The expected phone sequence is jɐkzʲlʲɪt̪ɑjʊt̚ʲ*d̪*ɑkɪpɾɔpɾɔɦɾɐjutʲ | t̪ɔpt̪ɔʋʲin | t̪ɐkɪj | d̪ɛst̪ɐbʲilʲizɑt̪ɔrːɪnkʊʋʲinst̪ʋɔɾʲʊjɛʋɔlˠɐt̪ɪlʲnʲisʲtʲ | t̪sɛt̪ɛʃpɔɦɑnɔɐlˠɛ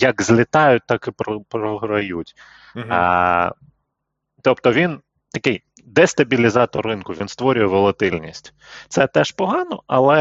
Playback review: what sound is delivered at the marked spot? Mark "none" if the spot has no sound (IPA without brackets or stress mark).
t̪